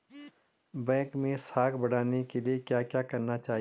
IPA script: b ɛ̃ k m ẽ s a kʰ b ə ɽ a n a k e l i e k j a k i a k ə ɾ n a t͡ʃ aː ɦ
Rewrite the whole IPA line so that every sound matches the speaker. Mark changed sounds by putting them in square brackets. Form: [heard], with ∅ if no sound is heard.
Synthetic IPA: b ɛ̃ k m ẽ s a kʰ b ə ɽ a n [e] k e l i e k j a k [j] a k ə ɾ n a t͡ʃ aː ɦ